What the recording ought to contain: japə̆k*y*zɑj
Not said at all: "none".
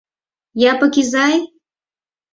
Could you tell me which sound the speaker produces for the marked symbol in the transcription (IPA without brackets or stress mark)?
i